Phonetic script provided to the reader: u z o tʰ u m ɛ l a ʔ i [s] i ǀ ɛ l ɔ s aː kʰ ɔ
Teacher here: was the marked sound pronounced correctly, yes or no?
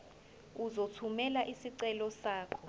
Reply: yes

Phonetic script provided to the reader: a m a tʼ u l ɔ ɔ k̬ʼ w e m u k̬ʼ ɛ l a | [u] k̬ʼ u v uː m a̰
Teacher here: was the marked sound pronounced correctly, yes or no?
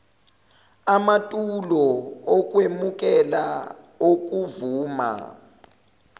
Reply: no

